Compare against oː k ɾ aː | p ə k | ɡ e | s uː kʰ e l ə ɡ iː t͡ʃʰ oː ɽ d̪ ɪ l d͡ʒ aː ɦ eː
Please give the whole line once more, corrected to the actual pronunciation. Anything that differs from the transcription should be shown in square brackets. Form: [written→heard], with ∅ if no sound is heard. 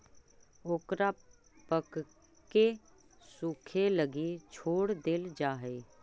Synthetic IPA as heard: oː k ɾ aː | p ə k | [ɡ→k] e | s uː kʰ e l ə ɡ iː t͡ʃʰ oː ɽ d̪ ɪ l d͡ʒ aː ɦ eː